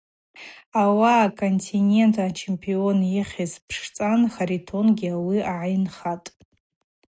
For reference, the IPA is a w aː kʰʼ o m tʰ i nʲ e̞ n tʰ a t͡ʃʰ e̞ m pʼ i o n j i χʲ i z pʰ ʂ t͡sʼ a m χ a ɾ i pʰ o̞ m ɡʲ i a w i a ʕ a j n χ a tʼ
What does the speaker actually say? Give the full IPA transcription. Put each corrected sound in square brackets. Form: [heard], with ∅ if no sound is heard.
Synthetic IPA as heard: a w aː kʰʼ o [n] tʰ i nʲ e̞ n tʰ a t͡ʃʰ e̞ m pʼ i o n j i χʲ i z pʰ ʂ t͡sʼ a [n] χ a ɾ i [tʰ] o̞ [n] ɡʲ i a w i a ʕ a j n χ a tʼ